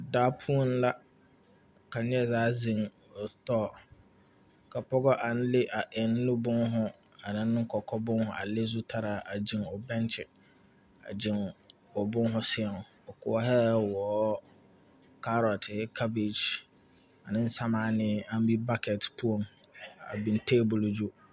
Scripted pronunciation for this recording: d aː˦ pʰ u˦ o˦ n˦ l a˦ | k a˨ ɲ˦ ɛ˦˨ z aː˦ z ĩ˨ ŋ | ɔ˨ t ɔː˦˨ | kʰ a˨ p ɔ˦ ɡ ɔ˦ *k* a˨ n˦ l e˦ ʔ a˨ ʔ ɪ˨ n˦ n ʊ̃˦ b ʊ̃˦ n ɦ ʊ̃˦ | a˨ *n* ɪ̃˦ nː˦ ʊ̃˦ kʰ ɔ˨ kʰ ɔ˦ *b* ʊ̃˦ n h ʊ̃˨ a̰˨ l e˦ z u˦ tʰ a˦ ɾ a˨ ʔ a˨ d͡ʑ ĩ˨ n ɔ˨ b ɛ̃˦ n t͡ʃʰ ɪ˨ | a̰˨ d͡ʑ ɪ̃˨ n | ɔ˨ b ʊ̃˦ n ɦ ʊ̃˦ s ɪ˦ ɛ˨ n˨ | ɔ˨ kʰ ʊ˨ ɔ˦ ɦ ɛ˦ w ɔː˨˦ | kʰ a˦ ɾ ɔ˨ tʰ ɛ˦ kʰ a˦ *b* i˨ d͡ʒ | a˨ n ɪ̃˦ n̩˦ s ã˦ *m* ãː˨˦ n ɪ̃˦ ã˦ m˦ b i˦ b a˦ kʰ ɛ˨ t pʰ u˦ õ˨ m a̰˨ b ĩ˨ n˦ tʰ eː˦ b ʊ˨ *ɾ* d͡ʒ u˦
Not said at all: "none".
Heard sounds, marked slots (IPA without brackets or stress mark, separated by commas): ʔ, n, b, b, m, l